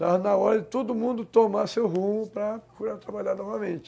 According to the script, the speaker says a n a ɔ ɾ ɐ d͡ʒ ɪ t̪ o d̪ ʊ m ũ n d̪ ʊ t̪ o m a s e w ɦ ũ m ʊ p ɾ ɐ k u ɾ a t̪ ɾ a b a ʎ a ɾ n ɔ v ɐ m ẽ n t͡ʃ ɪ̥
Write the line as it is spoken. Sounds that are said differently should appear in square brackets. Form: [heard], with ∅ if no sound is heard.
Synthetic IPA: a n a ɔ ɾ ɐ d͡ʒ ɪ t̪ o d̪ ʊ m ũ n d̪ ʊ t̪ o m a s e w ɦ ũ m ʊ p ɾ ɐ k u ɾ a t̪ ɾ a b a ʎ a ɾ n ɔ v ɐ m ẽ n t͡ʃ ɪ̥